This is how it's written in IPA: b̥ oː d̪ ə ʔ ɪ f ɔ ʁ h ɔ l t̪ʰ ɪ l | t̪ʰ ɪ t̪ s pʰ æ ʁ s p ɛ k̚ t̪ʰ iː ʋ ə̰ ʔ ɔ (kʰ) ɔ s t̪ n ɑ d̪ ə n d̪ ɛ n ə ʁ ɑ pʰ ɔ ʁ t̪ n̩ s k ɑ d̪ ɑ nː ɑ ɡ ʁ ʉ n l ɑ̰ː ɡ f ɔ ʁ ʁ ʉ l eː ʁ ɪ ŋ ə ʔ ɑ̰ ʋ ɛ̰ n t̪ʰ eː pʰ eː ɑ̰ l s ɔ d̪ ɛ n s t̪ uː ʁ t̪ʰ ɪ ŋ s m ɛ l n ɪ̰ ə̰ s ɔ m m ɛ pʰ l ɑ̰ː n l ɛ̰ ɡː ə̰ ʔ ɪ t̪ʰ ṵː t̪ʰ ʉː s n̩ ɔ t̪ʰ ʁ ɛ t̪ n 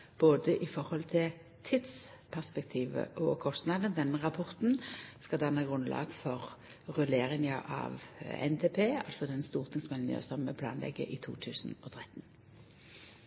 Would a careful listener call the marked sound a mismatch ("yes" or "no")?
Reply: no